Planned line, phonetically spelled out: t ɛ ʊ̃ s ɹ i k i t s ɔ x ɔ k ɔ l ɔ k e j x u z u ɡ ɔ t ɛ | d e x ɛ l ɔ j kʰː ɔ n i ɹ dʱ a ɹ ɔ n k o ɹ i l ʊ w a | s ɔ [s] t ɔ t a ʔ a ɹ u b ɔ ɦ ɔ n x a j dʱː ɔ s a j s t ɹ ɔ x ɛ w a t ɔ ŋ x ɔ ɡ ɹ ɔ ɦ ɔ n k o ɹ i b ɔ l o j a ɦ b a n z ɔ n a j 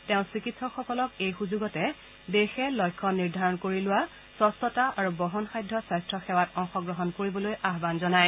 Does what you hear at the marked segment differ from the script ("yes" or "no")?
no